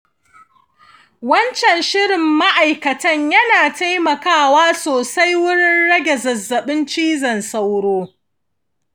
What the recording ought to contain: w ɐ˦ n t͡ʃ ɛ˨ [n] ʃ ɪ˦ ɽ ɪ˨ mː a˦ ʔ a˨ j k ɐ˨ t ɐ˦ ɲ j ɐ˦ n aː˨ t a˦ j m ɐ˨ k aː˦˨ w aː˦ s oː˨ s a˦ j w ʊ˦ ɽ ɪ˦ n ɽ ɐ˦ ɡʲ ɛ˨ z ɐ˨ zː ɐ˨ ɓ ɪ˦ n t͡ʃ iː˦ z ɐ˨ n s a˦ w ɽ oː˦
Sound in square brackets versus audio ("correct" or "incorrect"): correct